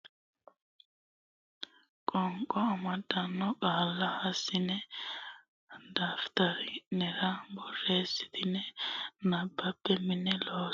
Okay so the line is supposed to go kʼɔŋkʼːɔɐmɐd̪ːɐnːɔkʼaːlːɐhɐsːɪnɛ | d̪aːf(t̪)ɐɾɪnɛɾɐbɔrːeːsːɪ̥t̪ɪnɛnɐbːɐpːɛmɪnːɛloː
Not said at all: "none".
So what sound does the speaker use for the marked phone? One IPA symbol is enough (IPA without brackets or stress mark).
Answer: t̪